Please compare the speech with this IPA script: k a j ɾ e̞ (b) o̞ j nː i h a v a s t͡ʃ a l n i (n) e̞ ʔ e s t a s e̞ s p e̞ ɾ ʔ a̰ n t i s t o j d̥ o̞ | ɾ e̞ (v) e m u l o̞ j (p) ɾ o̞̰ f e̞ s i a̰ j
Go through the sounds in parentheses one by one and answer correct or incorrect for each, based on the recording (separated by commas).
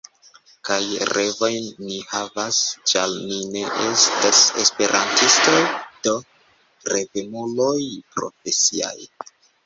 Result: incorrect, correct, correct, correct